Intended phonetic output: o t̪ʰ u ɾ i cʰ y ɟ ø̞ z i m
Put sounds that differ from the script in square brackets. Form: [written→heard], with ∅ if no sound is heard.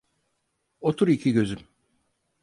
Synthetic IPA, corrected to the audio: o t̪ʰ u ɾ i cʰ [y→i] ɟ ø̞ z [i→y] m